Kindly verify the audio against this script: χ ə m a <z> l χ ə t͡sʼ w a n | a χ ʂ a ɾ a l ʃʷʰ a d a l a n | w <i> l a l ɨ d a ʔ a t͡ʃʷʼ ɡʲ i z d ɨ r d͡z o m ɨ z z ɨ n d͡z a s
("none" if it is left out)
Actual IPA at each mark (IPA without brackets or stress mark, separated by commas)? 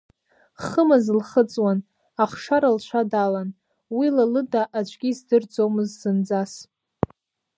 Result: z, i